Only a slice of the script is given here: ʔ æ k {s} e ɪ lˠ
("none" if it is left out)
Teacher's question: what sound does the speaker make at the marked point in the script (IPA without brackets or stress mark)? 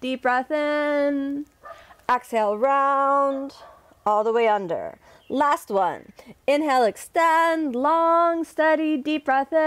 s